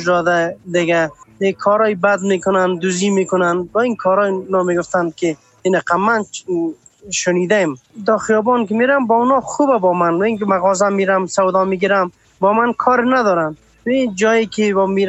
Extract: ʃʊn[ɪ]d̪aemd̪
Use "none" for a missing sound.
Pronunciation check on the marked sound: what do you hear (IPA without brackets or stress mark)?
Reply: i